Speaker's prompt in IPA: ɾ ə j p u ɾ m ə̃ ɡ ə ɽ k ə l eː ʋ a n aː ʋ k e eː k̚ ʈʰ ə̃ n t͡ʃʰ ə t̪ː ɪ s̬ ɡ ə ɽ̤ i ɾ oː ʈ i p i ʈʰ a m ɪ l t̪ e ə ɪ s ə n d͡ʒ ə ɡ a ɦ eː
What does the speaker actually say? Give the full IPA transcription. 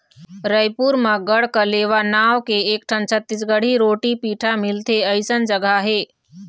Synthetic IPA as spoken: ɾ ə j p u ɾ m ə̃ ɡ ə ɽ k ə l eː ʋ a n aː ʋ k e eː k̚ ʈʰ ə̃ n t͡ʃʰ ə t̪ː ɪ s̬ ɡ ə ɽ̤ i ɾ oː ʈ i p iː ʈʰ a m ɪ l t̪ e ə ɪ s ə n d͡ʒ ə ɡ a ɦ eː